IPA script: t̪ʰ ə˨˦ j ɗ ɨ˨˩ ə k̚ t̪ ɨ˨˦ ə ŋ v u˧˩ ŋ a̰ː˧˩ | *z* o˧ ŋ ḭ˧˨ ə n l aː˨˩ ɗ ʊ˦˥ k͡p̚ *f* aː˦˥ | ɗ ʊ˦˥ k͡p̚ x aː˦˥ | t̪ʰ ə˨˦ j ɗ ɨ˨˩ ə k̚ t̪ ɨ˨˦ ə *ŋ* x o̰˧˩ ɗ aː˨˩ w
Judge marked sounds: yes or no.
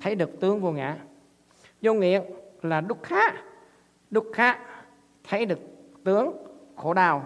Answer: yes, no, yes

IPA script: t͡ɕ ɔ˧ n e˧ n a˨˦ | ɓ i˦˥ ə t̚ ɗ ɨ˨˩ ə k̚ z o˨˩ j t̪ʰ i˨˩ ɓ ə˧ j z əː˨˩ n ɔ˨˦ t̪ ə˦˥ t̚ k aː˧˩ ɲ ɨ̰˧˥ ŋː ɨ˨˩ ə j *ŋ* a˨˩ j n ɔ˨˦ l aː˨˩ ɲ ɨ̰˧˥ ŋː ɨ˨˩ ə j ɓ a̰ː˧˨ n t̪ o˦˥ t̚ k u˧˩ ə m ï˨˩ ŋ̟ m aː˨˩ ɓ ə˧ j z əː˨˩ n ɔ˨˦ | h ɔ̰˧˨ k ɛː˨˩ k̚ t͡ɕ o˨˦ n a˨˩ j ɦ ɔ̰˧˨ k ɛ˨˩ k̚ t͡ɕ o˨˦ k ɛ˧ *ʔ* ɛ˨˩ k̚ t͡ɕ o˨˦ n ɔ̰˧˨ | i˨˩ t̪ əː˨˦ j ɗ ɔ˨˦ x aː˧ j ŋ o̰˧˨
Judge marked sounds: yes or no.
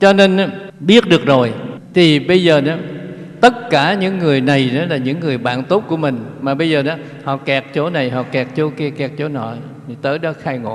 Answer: no, no

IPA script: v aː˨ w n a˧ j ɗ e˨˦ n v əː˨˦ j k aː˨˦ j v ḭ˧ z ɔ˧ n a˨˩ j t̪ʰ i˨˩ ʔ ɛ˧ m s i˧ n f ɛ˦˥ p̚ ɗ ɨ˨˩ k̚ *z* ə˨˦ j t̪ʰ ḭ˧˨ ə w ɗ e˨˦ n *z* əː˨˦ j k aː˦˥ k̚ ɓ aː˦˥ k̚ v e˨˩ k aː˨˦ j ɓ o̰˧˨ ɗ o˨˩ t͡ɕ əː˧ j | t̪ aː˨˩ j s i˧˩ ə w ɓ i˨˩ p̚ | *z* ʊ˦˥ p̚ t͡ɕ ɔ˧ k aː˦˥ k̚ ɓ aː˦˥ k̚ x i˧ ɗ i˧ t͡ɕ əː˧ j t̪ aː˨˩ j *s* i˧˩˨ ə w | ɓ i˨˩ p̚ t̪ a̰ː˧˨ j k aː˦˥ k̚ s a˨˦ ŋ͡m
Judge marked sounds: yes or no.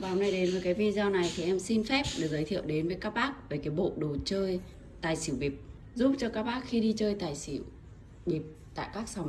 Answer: yes, no, yes, yes

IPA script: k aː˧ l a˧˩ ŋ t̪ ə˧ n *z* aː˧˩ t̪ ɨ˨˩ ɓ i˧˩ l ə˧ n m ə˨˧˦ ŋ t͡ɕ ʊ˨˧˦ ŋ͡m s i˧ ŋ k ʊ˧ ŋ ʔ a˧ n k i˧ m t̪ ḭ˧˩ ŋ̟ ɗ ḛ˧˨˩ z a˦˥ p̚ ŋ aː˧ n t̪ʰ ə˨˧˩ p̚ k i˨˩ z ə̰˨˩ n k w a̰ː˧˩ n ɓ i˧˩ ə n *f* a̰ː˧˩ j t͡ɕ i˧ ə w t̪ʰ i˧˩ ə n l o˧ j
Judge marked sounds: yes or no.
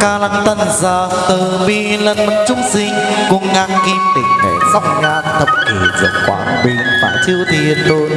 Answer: yes, yes

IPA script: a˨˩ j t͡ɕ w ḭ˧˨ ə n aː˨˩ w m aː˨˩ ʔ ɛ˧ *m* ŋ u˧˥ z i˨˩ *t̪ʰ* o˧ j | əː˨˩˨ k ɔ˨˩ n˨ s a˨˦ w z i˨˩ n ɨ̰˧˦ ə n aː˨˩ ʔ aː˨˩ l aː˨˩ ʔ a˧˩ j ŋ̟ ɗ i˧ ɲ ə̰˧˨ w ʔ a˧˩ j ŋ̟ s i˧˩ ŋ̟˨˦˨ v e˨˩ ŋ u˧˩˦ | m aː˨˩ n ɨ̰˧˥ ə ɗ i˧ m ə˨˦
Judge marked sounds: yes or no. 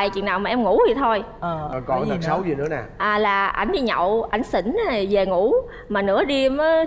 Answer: yes, yes

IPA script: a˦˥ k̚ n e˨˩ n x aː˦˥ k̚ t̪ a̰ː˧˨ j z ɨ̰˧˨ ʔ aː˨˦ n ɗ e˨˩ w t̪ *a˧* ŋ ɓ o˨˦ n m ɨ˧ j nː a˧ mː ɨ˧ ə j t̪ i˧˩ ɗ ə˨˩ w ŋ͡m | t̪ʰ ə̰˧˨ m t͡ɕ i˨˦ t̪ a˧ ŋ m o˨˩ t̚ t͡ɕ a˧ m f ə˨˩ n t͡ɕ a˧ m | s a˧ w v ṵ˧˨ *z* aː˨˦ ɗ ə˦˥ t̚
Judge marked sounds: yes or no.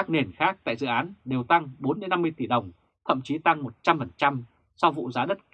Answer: yes, yes

